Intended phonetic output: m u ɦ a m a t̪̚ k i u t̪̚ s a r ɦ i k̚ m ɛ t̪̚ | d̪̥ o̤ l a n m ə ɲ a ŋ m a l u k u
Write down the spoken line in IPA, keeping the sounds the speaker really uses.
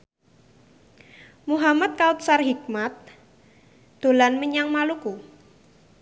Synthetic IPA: m u ɦ a m a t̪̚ k a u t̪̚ s a r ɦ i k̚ m a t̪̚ | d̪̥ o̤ l a n m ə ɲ a ŋ m a l u k u